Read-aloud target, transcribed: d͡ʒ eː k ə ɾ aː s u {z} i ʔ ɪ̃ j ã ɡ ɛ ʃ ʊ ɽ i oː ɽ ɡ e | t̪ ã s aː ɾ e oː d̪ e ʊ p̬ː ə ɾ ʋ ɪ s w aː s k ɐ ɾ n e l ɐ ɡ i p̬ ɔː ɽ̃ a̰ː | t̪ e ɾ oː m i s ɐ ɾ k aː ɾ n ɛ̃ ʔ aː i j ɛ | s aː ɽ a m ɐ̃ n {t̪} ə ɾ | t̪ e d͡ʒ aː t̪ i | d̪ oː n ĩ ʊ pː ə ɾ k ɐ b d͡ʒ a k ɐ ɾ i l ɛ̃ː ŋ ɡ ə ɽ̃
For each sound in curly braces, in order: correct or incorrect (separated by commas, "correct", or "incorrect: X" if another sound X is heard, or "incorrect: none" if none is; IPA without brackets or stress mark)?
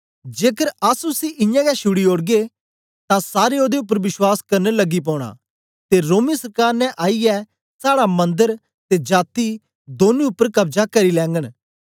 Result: incorrect: s, incorrect: d̪